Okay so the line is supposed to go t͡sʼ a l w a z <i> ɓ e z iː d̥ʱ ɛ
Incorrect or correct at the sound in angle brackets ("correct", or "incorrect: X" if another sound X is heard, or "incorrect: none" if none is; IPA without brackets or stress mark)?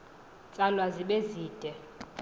correct